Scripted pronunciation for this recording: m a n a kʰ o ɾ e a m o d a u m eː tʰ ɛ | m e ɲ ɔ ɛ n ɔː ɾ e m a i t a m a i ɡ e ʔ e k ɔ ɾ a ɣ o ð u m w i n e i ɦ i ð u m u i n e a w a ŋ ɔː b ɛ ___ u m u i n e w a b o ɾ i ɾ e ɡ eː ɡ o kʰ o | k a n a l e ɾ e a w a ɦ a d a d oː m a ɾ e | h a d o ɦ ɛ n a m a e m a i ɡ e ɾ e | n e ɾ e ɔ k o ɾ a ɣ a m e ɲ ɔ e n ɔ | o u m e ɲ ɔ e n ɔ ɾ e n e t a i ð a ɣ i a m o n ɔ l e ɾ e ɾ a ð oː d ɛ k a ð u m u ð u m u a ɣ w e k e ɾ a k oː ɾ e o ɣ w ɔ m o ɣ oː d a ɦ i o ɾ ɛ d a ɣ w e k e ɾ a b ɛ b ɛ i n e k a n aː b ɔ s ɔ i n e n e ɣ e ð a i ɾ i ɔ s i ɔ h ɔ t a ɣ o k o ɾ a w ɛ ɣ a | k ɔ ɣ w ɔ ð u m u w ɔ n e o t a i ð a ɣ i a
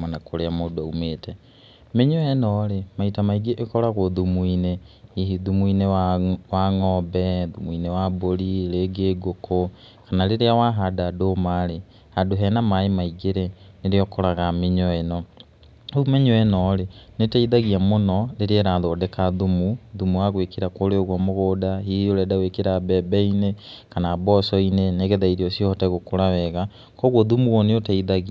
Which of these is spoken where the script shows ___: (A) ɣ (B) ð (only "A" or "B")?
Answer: B